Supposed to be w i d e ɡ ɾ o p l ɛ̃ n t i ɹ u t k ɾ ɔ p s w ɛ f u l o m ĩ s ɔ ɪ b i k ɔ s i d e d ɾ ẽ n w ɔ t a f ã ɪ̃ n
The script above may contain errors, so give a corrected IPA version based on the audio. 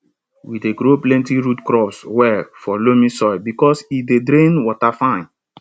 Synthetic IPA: w i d e ɡ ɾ o p l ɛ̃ n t i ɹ u t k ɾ ɔ p s w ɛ f ɔ l o m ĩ s ɔ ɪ b i k ɔ s i d e d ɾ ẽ n w ɔ t a f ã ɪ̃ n